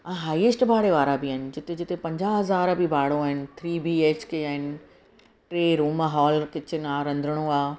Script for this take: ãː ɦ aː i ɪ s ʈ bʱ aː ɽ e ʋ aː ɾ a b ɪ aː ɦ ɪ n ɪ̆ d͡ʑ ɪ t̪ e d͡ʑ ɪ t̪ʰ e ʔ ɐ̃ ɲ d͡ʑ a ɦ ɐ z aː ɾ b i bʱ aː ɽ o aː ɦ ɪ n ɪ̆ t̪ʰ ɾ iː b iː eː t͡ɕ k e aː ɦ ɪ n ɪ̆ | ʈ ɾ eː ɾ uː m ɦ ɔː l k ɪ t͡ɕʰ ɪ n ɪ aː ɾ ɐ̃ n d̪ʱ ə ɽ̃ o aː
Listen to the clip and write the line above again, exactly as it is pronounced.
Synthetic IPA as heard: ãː ɦ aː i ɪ s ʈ bʱ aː ɽ e ʋ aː ɾ a b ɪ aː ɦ ɪ n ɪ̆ d͡ʑ ɪ t̪ e d͡ʑ ɪ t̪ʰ e p ɐ̃ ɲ d͡ʑ a ɦ ɐ z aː ɾ b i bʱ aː ɽ o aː ɦ ɪ n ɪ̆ t̪ʰ ɾ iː b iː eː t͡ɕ k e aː ɦ ɪ n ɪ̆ | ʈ ɾ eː ɾ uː m ɦ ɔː l k ɪ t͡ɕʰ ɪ n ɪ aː ɾ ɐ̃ n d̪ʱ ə ɽ̃ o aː